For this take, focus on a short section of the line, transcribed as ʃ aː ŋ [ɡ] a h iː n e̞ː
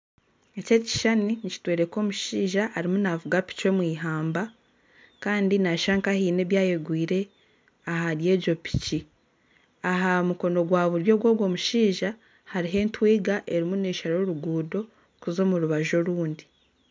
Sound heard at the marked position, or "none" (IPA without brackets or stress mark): k